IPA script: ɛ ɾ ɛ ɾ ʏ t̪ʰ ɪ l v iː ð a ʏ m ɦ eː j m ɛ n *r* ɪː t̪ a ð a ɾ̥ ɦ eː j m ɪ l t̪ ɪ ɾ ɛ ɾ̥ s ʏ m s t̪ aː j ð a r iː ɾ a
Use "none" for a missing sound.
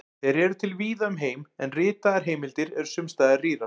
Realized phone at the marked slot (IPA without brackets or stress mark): r